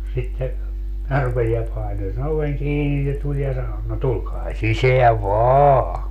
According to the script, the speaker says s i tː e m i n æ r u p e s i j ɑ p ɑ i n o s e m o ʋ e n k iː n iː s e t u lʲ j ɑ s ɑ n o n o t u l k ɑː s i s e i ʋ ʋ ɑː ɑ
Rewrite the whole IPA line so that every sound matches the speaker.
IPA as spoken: s i tː e m i n æ r u p e s i j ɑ p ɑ i n o s e n o ʋ e ŋ k iː n i s e t u lʲ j ɑ s ɑ n o n o t u l k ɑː s i s e æ ʋ ʋ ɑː ɑ